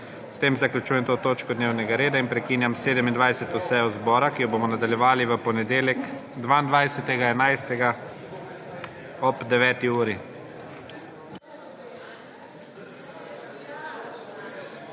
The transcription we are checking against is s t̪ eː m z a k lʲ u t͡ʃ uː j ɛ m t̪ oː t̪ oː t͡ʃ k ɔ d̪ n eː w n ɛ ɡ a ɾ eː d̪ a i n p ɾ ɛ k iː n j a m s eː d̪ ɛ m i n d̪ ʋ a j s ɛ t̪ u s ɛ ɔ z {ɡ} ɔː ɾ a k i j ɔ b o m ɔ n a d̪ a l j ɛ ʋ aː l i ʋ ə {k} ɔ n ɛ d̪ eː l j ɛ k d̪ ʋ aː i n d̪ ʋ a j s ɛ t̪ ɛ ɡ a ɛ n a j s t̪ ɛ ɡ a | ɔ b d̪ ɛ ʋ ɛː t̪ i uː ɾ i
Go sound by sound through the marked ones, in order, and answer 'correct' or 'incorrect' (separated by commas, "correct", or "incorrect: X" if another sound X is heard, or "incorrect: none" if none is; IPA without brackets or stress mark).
incorrect: b, incorrect: p